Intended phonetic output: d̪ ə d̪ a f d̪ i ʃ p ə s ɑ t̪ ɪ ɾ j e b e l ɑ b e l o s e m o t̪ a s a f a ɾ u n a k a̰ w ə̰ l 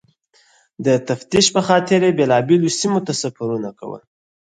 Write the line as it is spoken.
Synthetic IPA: d̪ ə t̪ a f t̪ i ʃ p ə x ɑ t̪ ɪ ɾ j e b e l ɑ b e l o s i m o t̪ a s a f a ɾ u n a k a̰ w ə̰ l